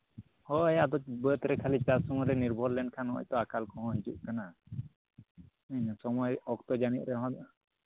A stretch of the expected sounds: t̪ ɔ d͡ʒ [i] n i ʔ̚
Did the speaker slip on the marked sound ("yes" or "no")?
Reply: yes